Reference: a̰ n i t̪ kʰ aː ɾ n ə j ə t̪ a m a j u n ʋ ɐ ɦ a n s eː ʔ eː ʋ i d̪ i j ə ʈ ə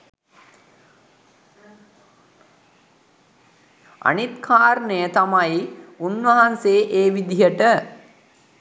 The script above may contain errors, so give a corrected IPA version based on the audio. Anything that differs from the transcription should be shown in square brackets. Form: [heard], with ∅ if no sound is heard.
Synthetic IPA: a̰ n i t̪ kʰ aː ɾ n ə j ə t̪ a m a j u n ʋ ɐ ɦ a n s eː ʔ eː ʋ i d̪ i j ə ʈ ə